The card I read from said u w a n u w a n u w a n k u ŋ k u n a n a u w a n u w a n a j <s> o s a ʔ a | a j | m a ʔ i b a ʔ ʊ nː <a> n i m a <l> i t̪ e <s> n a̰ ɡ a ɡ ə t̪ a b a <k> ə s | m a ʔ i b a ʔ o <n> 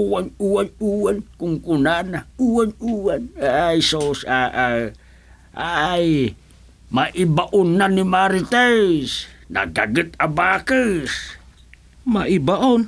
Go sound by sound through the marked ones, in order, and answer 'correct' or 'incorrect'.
correct, correct, incorrect, correct, correct, correct

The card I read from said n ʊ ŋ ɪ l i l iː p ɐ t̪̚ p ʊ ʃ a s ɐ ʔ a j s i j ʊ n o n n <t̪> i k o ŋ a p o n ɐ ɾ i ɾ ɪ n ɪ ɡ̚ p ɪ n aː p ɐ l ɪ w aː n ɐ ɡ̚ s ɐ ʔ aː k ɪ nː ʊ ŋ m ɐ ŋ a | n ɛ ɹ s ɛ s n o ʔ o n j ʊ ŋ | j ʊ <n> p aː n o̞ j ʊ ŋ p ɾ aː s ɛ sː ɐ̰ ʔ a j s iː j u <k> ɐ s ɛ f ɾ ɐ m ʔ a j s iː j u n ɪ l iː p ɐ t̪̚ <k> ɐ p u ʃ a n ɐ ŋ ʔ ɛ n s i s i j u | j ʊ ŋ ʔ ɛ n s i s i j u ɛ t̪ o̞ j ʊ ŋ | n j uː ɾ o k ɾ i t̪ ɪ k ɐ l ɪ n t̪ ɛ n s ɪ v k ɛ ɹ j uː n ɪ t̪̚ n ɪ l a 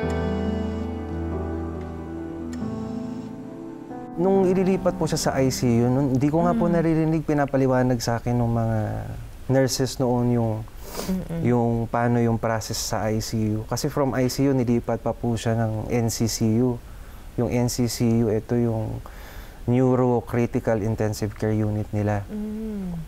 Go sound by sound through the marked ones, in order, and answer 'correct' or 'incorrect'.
incorrect, incorrect, correct, incorrect

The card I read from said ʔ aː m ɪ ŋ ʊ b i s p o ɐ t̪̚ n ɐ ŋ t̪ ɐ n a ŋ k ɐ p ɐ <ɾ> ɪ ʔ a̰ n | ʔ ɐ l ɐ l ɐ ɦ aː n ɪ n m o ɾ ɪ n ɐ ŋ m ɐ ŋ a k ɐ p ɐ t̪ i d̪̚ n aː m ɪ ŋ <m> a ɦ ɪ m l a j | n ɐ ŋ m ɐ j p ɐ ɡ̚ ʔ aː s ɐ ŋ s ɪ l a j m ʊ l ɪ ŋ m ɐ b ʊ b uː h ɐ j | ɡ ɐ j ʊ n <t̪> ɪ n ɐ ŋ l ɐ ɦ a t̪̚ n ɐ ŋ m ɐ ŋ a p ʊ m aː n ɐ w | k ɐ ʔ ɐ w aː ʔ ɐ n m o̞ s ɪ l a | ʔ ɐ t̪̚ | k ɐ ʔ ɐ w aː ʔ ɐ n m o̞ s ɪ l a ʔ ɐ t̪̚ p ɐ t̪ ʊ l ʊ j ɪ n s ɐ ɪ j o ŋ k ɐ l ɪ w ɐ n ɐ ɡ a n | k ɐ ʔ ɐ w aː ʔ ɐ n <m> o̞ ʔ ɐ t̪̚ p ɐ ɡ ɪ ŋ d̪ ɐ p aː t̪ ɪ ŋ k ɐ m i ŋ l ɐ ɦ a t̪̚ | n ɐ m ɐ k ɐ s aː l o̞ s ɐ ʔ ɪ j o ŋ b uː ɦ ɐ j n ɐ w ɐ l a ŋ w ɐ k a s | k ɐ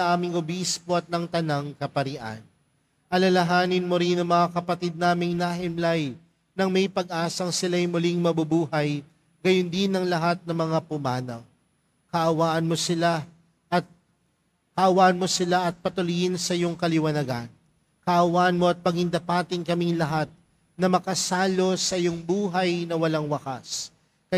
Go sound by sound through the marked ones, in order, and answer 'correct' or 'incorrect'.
correct, incorrect, incorrect, correct

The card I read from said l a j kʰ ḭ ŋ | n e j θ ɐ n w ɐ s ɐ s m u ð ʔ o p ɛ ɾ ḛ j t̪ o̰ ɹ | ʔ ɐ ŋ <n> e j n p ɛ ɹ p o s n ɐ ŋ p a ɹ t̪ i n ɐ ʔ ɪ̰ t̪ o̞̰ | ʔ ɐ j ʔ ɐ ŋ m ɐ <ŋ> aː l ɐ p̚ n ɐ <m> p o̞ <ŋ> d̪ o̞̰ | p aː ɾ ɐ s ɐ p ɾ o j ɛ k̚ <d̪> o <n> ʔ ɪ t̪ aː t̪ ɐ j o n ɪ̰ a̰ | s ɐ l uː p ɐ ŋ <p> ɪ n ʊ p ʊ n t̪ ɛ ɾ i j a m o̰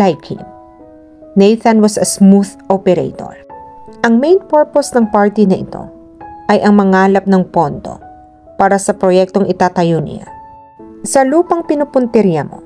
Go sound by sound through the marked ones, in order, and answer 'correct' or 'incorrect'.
incorrect, correct, incorrect, incorrect, incorrect, incorrect, correct

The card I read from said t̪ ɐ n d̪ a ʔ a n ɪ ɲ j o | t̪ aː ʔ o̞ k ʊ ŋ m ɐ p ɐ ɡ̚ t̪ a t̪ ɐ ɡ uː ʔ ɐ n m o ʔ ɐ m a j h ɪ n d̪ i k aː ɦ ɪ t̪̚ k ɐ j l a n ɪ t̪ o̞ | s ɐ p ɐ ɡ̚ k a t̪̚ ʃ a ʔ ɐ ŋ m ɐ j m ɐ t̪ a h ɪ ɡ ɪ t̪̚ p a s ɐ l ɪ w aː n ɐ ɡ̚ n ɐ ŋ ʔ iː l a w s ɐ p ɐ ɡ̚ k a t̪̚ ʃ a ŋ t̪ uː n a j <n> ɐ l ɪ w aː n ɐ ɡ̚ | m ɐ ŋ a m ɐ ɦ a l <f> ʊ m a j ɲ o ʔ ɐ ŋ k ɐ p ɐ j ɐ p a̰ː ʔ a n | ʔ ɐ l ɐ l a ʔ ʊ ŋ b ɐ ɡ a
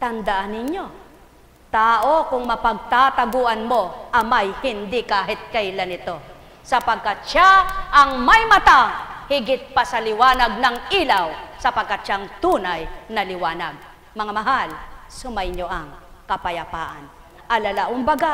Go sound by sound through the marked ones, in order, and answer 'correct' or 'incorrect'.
correct, incorrect

